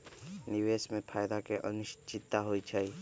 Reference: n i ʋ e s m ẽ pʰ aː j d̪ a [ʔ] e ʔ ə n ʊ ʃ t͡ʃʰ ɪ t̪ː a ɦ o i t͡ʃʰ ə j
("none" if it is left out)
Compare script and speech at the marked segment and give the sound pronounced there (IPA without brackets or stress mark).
k